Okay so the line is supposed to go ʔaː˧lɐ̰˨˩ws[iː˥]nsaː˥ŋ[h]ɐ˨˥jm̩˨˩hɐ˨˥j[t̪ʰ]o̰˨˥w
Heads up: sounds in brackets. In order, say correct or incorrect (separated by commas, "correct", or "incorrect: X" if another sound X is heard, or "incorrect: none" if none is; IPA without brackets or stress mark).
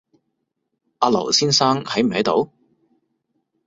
correct, correct, incorrect: t̪